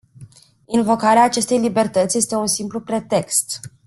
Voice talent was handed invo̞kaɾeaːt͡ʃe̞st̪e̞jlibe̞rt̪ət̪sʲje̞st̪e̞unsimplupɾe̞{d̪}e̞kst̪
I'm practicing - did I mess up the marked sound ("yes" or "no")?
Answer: yes